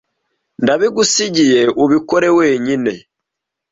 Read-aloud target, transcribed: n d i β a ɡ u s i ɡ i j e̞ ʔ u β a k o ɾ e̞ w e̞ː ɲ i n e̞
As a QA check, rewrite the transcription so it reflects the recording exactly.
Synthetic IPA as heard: n d a β i ɡ u s i ɟ i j e̞ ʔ u β i k o ɾ e̞ w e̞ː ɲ i n e̞

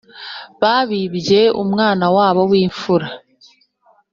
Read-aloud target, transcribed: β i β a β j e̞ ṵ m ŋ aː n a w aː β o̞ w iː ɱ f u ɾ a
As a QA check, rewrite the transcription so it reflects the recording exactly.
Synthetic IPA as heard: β a β i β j e̞ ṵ m ŋ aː n a w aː β o̞ w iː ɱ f u ɾ a

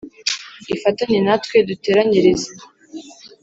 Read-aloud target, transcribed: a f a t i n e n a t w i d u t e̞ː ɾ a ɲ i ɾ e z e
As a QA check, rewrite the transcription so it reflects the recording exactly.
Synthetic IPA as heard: i f a t a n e n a t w e d u t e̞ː ɾ a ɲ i ɾ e z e

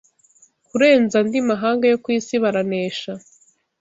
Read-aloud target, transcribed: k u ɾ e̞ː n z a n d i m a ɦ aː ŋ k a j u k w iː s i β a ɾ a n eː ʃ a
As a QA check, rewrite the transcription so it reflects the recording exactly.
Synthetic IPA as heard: k u ɾ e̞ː n z a n d i m a ɦ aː ŋ ɡ a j o k w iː s i β a ɾ a n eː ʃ a

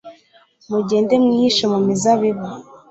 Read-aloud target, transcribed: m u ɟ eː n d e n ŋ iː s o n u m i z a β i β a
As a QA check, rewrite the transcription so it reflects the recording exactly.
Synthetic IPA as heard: m u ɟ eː n d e m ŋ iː ʃ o m u m i z a β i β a

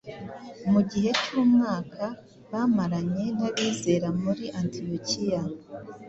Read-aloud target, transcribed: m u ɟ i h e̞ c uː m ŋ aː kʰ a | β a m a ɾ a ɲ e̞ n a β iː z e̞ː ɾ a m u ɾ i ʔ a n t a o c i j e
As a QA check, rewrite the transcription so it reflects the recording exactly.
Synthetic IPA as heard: m u ɟ i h e̞ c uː m ŋ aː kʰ a | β a m a ɾ a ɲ e̞ n a β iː z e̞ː ɾ a m u ɾ i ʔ a n t i o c i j a

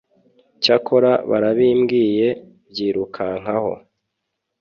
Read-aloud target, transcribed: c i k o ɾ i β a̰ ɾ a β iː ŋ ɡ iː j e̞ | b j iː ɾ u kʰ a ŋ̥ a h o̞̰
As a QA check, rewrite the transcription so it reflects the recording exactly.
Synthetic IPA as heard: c a k o ɾ a β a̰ ɾ a β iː m ɡ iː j e̞ | b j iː ɾ u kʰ a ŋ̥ a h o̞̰

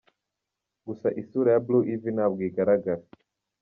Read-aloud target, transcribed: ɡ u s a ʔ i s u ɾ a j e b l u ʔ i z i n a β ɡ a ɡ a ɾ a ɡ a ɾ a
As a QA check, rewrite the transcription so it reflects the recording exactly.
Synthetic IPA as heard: ɡ u s a ʔ i s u ɾ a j a b l u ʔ i v i n a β ɡ i ɡ a ɾ a ɡ a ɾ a

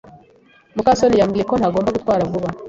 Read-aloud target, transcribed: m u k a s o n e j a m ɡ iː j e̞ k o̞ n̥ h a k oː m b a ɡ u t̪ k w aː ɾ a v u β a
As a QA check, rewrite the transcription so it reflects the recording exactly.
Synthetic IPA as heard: m u k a s o n i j a m ɡ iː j e̞ k o̞ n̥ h a ɡ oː m b a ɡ u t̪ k w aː ɾ a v u β a

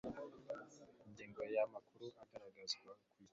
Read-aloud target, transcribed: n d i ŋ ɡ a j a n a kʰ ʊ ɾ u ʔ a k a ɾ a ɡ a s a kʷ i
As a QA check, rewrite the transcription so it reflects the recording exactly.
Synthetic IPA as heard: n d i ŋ ɡ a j a m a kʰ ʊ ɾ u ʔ a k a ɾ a ɡ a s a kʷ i

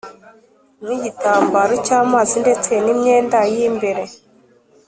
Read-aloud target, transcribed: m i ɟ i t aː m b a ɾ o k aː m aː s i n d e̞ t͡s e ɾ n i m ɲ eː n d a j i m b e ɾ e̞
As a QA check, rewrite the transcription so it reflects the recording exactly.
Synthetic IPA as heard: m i ɟ i t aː m b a ɾ o c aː m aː z i n d e̞ t͡s e n i m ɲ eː n d a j i m b e ɾ e̞

